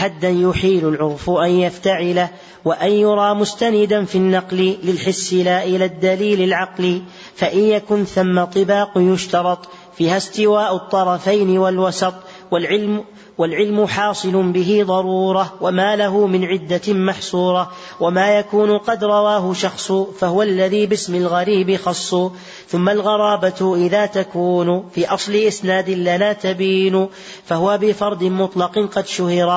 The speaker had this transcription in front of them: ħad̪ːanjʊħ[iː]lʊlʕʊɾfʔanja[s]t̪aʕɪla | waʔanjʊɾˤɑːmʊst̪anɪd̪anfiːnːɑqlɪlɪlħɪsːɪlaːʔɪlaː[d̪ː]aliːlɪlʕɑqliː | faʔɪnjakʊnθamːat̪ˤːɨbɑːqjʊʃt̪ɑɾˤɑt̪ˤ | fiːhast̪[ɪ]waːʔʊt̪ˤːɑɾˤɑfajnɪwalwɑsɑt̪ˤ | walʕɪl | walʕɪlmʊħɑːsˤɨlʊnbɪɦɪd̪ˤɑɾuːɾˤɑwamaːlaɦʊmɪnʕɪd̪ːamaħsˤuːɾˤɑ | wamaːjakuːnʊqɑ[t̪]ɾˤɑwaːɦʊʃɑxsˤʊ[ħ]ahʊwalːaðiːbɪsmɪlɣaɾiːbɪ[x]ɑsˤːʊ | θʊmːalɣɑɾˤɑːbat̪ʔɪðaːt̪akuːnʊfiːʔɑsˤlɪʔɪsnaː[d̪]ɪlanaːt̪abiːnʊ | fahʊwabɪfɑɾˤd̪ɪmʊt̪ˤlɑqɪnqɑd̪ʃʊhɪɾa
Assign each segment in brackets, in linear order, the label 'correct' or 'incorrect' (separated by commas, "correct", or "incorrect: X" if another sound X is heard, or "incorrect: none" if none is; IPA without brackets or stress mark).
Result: correct, incorrect: f, correct, correct, incorrect: d̪, incorrect: f, correct, correct